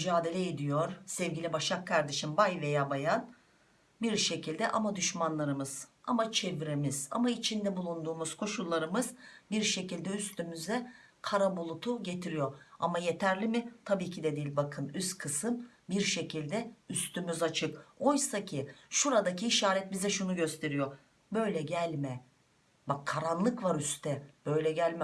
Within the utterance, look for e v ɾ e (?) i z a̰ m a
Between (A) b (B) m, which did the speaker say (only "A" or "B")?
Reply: B